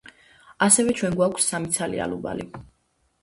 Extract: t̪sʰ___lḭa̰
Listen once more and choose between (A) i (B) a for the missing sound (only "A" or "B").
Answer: B